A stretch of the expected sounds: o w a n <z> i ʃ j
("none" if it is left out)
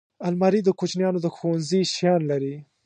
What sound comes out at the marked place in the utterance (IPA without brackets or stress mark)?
z